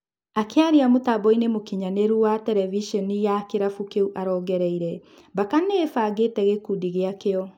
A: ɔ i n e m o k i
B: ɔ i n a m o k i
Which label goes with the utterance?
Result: A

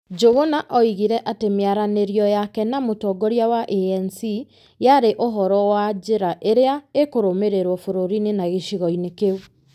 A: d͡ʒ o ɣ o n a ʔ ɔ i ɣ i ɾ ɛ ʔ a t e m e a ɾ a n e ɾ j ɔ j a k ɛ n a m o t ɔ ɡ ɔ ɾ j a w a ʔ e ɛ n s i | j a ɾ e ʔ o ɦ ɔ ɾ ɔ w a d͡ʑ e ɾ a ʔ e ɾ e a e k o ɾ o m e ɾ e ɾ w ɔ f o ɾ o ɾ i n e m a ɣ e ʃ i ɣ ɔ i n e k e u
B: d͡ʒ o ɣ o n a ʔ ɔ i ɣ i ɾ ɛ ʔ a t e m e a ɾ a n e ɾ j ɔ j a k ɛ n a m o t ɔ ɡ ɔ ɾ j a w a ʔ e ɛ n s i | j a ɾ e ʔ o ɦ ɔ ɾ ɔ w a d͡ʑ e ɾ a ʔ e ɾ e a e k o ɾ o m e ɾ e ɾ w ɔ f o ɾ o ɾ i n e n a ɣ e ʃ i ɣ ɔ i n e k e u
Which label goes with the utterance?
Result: B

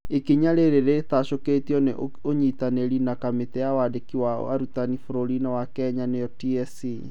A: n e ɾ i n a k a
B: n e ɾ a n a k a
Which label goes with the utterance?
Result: A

